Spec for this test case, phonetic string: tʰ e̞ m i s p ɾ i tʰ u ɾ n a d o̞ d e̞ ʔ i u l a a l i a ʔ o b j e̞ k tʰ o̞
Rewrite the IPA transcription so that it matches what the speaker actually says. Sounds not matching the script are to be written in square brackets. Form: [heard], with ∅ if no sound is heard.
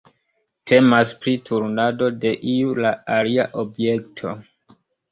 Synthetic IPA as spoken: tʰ e̞ m [a] s p ɾ i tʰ u ɾ n a d o̞ d e̞ ʔ i u l a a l i a ʔ o b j e̞ k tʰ o̞